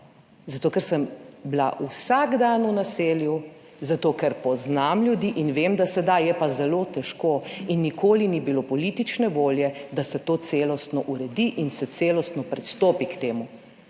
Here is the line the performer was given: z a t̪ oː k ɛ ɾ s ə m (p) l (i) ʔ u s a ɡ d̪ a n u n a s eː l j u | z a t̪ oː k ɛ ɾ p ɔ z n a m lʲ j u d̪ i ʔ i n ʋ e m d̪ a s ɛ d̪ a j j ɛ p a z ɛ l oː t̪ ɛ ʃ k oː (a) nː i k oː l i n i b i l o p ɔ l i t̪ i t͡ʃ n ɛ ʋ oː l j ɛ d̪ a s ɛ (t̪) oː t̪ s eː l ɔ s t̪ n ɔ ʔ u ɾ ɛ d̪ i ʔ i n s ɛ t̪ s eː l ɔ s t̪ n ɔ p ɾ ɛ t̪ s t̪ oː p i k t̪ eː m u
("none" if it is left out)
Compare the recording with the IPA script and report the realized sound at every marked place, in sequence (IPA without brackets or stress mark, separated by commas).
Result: b, a, i, t̪